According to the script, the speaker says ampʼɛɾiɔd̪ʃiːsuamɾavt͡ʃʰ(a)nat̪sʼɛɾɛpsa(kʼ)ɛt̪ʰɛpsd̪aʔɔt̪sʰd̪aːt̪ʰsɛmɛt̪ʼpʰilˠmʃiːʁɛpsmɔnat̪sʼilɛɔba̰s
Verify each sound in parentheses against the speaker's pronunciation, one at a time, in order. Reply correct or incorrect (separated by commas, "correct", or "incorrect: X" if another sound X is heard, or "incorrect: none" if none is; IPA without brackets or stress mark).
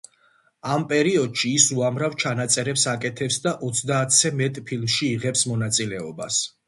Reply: correct, correct